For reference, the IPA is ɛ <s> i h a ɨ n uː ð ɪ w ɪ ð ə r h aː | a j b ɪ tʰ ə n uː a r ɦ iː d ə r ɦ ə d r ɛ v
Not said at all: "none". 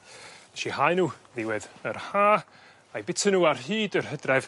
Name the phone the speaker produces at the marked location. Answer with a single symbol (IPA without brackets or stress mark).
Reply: ʃ